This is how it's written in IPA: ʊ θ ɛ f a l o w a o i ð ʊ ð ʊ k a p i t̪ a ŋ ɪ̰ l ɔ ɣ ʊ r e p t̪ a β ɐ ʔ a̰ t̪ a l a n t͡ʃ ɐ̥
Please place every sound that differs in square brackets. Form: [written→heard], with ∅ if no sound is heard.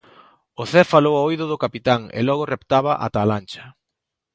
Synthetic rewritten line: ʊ θ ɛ f a l o w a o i ð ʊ ð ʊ k a p i t̪ a ŋ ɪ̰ l ɔ ɣ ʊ r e p t̪ a β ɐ ʔ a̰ t̪ a l a n t͡ʃ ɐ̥